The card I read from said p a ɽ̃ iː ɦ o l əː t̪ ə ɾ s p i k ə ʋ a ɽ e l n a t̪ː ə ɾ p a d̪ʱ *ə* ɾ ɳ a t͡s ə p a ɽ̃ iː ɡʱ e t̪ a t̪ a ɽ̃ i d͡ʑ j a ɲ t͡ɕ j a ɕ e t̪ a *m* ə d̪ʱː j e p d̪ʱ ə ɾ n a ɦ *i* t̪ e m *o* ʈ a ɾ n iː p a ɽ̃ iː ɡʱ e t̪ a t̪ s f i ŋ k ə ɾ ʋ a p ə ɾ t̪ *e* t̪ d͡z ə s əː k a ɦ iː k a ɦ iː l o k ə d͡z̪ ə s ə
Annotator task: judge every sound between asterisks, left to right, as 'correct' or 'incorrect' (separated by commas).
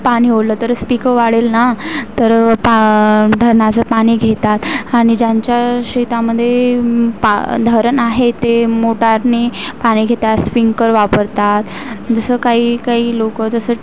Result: correct, correct, incorrect, correct, incorrect